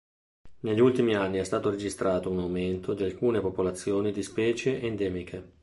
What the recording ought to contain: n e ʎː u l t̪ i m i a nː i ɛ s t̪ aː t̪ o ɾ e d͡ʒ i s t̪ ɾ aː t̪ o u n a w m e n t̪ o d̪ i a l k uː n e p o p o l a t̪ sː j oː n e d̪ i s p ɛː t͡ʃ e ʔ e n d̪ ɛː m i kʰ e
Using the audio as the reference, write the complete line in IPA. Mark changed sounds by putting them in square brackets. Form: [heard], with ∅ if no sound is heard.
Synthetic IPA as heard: n e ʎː u l t̪ i m i a nː i ɛ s t̪ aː t̪ o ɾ e d͡ʒ i s t̪ ɾ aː t̪ o u n a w m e n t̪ o d̪ i a l k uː n e p o p o l a t̪ sː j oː n [i] d̪ i s p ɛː t͡ʃ e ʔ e n d̪ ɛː m i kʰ e